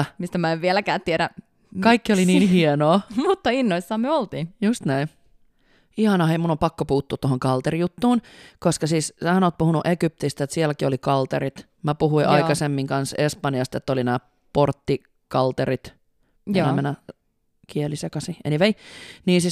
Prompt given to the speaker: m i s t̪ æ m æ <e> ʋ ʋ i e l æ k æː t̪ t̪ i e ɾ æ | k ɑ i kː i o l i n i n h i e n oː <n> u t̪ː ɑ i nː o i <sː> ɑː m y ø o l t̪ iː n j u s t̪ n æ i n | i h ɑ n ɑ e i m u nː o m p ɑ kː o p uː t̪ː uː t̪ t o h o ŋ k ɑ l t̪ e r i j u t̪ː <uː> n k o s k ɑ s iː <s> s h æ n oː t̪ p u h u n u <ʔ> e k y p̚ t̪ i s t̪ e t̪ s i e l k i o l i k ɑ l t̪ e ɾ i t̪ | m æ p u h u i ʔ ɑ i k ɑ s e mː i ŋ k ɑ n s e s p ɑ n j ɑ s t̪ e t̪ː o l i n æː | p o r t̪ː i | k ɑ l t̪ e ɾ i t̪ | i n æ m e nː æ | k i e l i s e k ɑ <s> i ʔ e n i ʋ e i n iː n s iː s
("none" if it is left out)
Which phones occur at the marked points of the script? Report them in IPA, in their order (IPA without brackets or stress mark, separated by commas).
e, m, sː, uː, s, ʔ, s